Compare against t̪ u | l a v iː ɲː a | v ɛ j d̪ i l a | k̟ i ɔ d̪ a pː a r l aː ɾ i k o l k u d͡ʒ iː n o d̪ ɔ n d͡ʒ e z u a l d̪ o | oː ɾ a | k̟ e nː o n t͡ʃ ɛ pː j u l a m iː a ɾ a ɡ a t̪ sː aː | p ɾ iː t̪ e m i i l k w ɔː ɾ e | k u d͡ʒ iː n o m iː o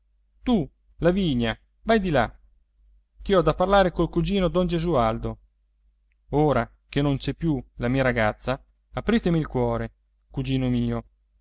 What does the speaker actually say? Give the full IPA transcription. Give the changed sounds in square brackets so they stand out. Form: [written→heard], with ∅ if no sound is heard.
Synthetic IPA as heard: t̪ u | l a v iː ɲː a | v [ɛ→a] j d̪ i l a | k̟ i ɔ d̪ a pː a r l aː ɾ [i→e] k o l k u d͡ʒ iː n o d̪ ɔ n d͡ʒ e z u a l d̪ o | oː ɾ a | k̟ e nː o n t͡ʃ ɛ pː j u l a m iː a ɾ a ɡ a t̪ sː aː | p ɾ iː t̪ e m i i l k w ɔː ɾ e | k u d͡ʒ iː n o m iː o

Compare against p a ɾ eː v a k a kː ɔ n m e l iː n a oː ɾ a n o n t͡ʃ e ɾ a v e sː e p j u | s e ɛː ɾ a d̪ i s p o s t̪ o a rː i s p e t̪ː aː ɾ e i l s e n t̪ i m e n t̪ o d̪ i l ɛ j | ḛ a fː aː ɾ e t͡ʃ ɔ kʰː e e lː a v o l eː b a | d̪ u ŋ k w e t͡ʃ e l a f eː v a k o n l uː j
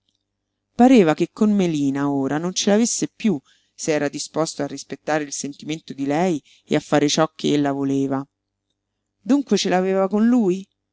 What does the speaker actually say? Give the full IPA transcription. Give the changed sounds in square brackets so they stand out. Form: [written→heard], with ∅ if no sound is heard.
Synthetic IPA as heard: p a ɾ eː v a k [a→e] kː [ɔ→o] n m e l iː n a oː ɾ a n o n t͡ʃ e [ɾ→l] a v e sː e p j u | s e ɛː ɾ a d̪ i s p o s t̪ o a rː i s p e t̪ː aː ɾ e i l s e n t̪ i m e n t̪ o d̪ i l ɛ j | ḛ a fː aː ɾ e t͡ʃ ɔ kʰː e e lː a v o l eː [b→v] a | d̪ u ŋ k w e t͡ʃ e l a [f→v] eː v a k o n l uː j

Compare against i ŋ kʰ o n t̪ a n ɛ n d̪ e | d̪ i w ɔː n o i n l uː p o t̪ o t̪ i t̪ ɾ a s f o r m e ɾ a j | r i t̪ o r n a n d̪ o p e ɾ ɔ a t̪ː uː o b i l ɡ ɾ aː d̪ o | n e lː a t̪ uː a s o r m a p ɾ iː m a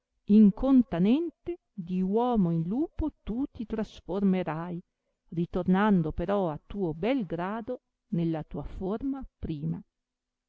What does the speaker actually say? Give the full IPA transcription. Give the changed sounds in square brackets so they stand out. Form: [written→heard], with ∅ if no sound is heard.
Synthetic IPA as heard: i ŋ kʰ o n t̪ a n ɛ n [d̪→t̪] e | d̪ i w ɔː [n→m] o i n l uː p o t̪ [o→u] t̪ i t̪ ɾ a s f o r m e ɾ a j | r i t̪ o r n a n d̪ o p e ɾ ɔ a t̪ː uː o b [i→ɛ] l ɡ ɾ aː d̪ o | n e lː a t̪ uː a [s→f] o r m a p ɾ iː m a

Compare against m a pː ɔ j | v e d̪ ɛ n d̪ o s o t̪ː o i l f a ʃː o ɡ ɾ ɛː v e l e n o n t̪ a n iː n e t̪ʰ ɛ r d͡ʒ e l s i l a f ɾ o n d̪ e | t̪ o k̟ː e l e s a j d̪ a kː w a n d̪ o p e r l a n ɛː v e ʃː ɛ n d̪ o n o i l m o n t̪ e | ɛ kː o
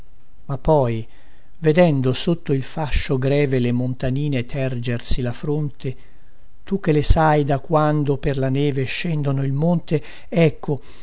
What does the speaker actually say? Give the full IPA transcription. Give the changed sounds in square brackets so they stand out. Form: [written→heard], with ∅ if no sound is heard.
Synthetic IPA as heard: m a pː ɔ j | v e d̪ ɛ n d̪ o s o t̪ː o i l f a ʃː o ɡ ɾ ɛː v e l e [n→m] o n t̪ a n iː n e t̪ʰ ɛ r d͡ʒ e [l→r] s i l a f ɾ o n [d̪→t̪] e | t̪ [o→u] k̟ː e l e s a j d̪ a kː w a n d̪ o p e r l a n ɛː v e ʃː ɛ n d̪ o n o i l m o n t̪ e | ɛ kː o

